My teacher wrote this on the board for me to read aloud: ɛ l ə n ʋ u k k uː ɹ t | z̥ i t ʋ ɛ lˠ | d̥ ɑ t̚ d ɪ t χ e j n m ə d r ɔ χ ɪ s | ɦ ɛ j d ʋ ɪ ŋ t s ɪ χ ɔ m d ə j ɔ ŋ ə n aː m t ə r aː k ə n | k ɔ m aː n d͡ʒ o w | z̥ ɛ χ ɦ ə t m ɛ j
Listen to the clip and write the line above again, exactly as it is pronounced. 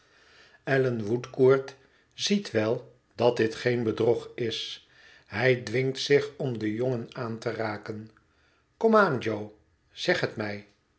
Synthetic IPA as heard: ɛ l ə n ʋ u t k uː ɹ t | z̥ i t ʋ ɛ lˠ | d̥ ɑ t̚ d ɪ t χ e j n b ə d r ɔ χ ɪ s | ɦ ɛ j d ʋ ɪ ŋ t s ɪ χ ɔ m d ə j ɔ ŋ ə n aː n t ə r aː k ə n | k ɔ m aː n d͡ʒ o w | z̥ ɛ χ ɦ ə t m ɛ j